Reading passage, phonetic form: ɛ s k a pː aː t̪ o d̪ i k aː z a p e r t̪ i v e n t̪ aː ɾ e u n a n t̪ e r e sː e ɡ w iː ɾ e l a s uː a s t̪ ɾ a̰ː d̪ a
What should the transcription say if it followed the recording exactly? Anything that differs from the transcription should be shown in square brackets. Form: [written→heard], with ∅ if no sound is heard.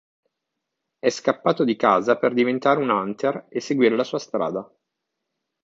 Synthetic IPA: ɛ s k a pː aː t̪ o d̪ i k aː z a p e r [t̪→d̪] i v e n t̪ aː ɾ e u n a n t̪ e r e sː e ɡ w iː ɾ e l a s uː a s t̪ ɾ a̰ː d̪ a